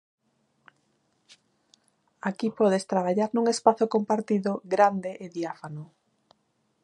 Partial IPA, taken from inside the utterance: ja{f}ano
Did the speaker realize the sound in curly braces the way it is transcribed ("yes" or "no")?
yes